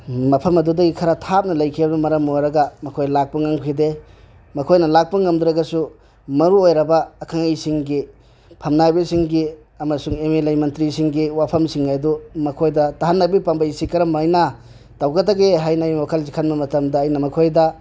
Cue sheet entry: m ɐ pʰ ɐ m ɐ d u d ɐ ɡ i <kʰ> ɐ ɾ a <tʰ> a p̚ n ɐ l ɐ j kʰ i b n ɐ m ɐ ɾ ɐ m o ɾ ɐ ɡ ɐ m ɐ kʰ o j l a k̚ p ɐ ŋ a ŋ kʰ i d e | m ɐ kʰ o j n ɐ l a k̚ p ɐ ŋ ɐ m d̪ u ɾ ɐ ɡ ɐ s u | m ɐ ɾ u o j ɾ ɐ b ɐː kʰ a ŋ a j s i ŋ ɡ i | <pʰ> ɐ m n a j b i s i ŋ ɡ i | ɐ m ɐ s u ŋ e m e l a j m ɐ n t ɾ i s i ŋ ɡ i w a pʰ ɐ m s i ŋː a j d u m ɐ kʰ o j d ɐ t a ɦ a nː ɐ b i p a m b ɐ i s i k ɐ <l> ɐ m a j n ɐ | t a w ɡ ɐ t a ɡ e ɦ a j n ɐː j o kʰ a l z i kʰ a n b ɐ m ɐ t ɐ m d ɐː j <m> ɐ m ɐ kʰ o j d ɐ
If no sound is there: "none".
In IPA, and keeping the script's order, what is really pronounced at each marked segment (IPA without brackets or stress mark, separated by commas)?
kʰ, tʰ, pʰ, ɾ, n